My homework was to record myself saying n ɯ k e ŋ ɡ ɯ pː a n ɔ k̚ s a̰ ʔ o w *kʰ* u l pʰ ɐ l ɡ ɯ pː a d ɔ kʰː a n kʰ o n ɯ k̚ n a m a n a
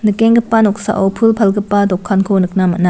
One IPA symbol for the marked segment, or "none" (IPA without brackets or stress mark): pʰ